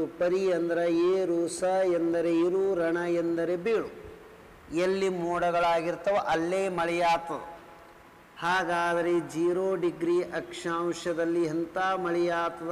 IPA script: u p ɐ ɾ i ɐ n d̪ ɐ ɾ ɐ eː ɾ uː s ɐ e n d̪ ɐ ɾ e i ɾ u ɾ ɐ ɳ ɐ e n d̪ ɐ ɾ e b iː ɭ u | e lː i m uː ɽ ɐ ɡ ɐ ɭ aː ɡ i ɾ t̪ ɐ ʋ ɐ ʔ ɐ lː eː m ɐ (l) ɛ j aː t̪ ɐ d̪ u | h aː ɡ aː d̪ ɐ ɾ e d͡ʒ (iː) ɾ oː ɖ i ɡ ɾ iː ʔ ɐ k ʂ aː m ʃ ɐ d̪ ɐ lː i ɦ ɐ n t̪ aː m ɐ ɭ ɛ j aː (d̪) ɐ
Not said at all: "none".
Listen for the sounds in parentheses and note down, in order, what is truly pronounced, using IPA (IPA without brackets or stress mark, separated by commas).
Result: ɭ, iː, t̪